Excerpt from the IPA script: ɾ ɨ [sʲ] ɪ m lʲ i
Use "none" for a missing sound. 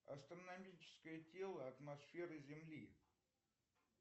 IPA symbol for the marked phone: zʲ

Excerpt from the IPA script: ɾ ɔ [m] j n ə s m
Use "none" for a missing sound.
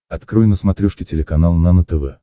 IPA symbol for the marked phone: none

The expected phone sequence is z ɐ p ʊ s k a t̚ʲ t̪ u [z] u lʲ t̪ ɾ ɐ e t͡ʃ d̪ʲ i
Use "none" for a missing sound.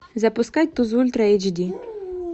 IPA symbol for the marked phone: z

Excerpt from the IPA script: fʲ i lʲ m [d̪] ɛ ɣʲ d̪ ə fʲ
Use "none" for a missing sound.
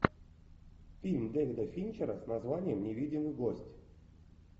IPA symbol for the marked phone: d̪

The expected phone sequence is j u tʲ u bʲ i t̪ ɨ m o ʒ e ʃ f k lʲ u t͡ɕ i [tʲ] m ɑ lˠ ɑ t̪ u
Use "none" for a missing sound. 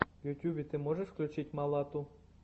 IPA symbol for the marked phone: tʲ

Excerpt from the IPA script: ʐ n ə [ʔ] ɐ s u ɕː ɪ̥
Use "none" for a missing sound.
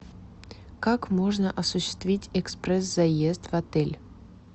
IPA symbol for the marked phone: ʔ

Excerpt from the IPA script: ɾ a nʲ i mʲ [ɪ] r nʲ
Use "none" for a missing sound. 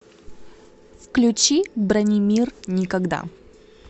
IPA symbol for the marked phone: i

